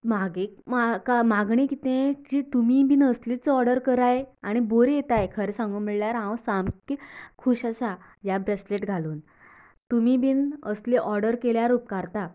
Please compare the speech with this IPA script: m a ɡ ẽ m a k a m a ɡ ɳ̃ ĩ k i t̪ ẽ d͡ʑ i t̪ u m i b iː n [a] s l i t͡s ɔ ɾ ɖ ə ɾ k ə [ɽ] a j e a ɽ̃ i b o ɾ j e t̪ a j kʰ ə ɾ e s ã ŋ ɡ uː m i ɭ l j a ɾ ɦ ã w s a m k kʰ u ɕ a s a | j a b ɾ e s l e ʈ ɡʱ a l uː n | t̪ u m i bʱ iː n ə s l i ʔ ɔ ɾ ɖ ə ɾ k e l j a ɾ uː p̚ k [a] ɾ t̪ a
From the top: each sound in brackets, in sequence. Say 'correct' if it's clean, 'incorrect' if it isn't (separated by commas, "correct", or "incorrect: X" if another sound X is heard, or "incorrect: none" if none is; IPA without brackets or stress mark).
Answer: incorrect: ə, incorrect: ɾ, correct